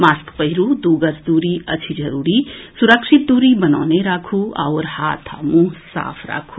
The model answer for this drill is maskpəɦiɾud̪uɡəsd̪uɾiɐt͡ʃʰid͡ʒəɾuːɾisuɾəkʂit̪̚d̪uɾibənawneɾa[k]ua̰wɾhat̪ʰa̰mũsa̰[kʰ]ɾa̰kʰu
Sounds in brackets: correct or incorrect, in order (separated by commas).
incorrect, incorrect